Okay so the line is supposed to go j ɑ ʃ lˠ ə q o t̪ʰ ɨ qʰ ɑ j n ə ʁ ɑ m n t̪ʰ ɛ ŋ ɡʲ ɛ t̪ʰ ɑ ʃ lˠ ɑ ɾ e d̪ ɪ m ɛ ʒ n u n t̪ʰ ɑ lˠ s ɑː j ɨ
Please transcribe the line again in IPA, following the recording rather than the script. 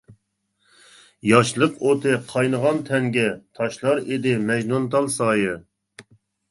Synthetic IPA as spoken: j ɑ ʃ lˠ ə q o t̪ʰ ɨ qʰ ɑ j n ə ʁ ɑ n t̪ʰ ɛ ŋ ɡʲ ɛ t̪ʰ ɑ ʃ lˠ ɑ ɾ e d̪ ɪ m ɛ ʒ n u n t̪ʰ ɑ lˠ s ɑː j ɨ